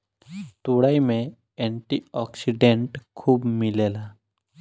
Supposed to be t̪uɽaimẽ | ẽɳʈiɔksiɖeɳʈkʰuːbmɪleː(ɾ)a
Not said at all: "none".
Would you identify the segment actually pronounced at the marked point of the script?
l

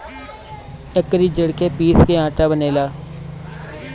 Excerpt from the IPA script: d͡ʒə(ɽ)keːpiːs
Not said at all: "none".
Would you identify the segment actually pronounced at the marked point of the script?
ɽ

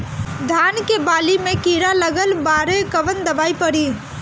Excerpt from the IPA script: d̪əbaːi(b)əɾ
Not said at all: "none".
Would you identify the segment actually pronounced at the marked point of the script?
p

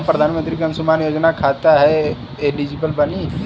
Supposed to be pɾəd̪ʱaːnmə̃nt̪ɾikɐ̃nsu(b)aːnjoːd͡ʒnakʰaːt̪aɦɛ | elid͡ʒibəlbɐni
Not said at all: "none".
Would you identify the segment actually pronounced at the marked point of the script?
m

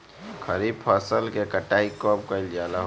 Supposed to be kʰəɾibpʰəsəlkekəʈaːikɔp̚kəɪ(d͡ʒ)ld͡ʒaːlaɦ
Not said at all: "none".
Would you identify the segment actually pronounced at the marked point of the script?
none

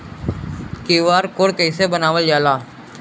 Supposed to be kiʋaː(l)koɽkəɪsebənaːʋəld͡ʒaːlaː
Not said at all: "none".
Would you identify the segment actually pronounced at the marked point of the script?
ɾ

